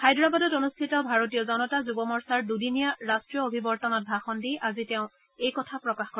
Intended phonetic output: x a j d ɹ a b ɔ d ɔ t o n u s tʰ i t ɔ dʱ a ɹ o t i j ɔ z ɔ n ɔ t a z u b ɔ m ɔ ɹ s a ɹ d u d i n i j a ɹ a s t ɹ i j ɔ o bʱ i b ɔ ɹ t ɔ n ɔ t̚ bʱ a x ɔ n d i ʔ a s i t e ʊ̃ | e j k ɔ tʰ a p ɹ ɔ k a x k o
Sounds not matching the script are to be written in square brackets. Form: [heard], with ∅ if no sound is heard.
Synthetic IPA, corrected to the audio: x a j d ɹ a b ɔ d ɔ t o n u s tʰ i t ɔ [bʱ] a ɹ o t i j ɔ z ɔ n ɔ t a z u b ɔ m ɔ ɹ s a ɹ d u d i n i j a ɹ a s t ɹ i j ɔ o bʱ i b ɔ ɹ t ɔ n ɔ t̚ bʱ a x ɔ n d i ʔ a [z] i t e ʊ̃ | e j k ɔ tʰ a p ɹ ɔ k a x k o